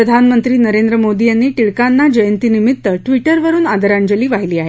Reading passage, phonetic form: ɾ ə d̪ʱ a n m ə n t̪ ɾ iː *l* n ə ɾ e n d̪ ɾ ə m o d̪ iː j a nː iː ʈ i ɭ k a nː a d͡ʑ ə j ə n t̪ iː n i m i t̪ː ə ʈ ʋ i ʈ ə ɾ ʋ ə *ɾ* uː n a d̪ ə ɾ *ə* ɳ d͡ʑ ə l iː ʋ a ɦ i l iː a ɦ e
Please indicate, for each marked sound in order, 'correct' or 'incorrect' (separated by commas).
incorrect, correct, incorrect